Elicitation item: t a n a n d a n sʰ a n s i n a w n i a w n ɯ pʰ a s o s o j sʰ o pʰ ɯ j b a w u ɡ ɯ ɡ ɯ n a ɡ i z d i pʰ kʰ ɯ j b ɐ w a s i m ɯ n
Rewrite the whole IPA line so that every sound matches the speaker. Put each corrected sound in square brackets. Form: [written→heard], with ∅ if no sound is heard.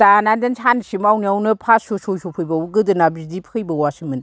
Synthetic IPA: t a n a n d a n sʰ a n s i [n→m] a w n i a w n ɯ pʰ a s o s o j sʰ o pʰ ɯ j b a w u ɡ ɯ [ɡ→d] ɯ n a [ɡ→b] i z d i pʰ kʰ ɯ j b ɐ w a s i m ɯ n